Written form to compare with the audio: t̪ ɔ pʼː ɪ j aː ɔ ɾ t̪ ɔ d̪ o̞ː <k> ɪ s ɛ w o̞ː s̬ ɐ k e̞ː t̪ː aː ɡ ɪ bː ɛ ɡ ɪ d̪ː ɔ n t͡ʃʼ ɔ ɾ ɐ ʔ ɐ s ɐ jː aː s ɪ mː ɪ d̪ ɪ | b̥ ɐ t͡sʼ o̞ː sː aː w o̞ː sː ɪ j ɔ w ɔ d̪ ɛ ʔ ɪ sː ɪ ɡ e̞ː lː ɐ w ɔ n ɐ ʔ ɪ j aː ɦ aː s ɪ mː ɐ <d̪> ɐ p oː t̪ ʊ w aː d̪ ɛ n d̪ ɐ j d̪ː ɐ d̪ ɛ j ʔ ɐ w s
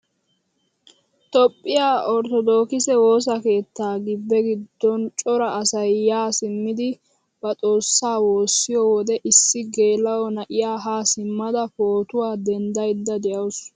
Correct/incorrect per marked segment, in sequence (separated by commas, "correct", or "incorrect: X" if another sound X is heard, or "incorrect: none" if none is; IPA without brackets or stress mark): correct, correct